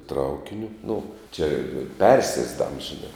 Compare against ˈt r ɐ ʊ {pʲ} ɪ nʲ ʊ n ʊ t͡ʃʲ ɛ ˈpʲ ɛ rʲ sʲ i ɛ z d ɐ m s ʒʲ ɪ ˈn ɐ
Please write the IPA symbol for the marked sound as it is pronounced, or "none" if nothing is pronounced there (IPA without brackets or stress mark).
kʲ